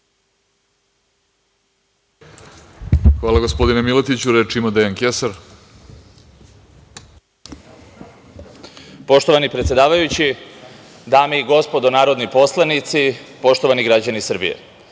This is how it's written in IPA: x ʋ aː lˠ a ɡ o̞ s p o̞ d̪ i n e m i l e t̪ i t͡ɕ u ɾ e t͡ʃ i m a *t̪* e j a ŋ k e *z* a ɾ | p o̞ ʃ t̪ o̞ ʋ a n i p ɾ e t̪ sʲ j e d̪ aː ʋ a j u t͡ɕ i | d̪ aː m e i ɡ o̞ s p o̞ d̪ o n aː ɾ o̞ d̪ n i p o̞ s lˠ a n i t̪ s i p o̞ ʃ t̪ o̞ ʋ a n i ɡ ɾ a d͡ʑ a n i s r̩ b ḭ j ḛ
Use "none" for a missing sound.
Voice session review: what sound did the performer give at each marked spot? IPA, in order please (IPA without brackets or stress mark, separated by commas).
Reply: d̪, s